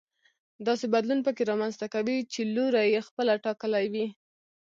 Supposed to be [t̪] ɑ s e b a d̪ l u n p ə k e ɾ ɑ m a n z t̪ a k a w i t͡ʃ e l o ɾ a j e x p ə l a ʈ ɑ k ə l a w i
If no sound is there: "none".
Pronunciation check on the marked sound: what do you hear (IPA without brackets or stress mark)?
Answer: d̪